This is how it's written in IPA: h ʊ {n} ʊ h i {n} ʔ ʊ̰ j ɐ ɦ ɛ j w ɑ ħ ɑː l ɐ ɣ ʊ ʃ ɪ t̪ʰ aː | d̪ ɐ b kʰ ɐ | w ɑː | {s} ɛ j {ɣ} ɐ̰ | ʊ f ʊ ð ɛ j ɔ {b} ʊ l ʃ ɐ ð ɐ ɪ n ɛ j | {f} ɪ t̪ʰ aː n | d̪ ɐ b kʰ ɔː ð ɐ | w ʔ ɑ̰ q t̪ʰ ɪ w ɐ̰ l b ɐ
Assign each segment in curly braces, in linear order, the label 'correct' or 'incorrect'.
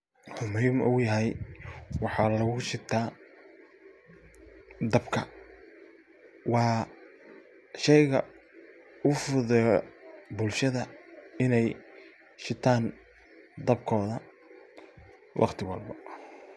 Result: incorrect: m, incorrect: m, incorrect: ʃ, correct, correct, incorrect: ʃ

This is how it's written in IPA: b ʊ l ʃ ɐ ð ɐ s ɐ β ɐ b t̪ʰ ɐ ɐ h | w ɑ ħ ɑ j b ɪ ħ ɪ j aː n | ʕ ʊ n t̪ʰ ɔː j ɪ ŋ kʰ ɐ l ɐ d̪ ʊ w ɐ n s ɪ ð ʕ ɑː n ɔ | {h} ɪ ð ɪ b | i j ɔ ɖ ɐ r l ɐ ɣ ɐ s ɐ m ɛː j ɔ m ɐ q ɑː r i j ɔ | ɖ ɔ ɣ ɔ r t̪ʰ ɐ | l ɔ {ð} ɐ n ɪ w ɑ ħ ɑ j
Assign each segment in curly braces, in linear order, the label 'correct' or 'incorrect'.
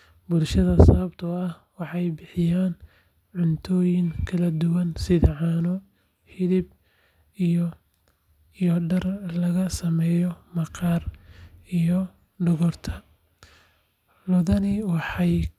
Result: correct, correct

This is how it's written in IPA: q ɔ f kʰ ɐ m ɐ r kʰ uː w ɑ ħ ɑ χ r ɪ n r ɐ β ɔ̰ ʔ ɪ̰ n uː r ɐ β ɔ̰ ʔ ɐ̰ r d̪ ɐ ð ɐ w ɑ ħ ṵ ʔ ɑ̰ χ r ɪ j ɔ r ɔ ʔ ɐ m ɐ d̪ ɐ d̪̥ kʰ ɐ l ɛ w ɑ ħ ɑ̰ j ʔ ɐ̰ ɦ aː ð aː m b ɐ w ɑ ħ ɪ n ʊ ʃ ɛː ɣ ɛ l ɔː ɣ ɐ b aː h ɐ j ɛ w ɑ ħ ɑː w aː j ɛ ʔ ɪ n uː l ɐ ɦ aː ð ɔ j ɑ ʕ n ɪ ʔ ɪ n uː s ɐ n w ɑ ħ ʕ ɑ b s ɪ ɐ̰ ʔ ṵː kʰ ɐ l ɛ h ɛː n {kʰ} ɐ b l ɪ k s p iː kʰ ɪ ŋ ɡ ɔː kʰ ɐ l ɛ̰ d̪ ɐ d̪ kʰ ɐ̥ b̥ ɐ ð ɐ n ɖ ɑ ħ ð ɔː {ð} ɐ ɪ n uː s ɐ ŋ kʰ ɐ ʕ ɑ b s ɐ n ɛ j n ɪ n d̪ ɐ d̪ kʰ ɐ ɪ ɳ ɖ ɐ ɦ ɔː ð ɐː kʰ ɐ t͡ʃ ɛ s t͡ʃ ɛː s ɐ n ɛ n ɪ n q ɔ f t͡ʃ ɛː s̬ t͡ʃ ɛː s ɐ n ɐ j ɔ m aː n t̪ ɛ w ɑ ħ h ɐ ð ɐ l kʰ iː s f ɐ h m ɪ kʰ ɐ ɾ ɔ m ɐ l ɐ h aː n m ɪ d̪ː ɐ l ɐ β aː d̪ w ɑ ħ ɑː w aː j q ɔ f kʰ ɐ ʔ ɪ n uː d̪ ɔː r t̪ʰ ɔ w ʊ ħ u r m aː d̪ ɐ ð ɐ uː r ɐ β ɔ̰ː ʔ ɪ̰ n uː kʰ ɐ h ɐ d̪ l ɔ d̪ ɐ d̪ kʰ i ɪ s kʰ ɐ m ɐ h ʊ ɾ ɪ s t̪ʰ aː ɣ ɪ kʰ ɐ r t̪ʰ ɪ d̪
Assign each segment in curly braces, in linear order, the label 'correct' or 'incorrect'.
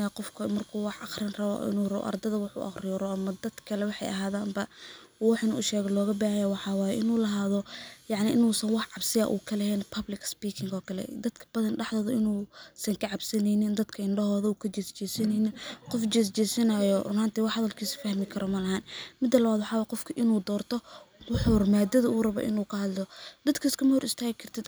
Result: incorrect: pʰ, correct

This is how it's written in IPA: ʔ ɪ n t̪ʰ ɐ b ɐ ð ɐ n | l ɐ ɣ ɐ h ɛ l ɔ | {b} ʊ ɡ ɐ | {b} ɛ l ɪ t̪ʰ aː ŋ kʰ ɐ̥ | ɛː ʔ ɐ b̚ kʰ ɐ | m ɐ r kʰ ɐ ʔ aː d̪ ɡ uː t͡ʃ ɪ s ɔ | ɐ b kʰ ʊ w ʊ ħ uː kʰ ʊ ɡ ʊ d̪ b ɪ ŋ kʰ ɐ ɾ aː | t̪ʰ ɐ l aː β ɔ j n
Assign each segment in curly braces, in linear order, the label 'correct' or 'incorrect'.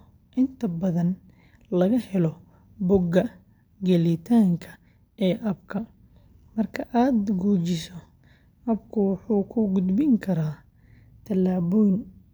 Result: correct, incorrect: ɡ

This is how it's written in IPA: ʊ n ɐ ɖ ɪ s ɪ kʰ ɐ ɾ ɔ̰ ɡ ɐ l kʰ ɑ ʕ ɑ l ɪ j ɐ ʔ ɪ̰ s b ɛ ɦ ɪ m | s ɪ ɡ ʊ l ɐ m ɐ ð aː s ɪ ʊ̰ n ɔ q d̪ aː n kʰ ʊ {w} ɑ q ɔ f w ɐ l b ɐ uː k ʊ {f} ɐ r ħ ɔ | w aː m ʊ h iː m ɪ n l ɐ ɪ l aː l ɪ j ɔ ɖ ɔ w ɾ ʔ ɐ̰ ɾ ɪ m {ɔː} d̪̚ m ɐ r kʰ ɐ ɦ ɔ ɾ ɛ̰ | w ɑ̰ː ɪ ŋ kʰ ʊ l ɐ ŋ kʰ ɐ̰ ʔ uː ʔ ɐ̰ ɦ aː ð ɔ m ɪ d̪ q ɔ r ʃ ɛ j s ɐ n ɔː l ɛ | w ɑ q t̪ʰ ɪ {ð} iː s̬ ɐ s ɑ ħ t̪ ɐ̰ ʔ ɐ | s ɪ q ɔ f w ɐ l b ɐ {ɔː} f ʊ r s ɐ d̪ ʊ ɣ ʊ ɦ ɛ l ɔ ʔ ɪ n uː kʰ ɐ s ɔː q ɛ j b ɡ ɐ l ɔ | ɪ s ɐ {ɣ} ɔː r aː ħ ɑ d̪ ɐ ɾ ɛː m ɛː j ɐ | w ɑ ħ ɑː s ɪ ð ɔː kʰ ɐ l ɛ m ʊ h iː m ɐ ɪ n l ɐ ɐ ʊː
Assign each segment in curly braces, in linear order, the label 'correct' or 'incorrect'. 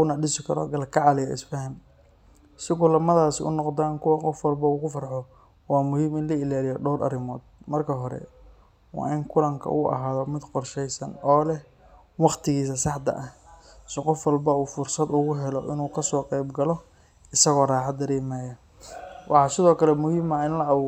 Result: correct, correct, correct, incorrect: ɣ, incorrect: uː, correct

